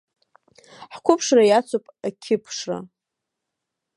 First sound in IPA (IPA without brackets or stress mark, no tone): ħ